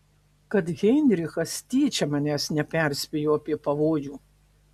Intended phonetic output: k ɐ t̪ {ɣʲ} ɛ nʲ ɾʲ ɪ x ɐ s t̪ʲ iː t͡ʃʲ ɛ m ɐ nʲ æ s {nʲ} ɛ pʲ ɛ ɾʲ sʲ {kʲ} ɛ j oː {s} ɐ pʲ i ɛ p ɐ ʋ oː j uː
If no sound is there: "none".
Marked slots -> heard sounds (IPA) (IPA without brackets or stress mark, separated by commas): ɣʲ, nʲ, pʲ, none